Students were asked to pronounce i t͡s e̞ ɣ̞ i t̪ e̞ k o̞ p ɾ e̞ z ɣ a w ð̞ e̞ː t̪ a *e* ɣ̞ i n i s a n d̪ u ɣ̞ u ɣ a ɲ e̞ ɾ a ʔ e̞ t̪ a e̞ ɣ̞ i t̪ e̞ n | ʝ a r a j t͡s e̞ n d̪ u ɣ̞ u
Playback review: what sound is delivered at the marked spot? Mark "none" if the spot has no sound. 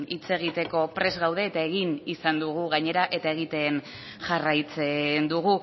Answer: e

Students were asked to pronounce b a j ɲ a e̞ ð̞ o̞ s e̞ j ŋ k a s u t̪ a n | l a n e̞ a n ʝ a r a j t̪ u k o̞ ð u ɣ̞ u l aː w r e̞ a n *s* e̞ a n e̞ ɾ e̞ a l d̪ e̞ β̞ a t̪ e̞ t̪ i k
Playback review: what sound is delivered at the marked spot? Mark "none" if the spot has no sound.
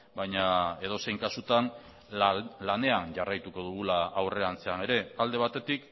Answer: t͡s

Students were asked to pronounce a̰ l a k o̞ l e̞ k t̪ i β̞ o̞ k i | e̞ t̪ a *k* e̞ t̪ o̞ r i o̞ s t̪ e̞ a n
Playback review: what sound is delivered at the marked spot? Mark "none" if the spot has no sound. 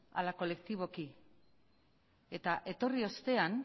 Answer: ʔ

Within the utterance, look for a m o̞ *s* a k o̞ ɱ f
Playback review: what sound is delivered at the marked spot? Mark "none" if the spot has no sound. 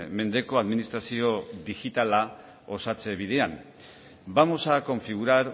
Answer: s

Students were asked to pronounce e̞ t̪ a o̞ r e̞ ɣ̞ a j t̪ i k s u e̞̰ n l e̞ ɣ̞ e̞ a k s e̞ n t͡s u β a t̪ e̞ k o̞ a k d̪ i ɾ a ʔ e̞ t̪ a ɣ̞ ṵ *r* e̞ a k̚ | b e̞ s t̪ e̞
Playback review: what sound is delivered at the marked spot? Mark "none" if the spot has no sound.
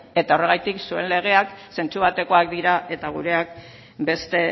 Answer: ɾ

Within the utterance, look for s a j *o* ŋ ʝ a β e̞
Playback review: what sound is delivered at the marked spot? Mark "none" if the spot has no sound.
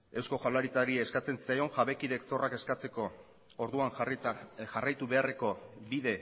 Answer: o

